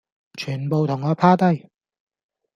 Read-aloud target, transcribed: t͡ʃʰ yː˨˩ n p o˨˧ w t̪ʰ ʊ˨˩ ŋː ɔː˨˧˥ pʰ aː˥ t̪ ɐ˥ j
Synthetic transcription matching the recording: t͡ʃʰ yː˨˩ n p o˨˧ w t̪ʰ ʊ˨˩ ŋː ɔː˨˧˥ pʰ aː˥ t̪ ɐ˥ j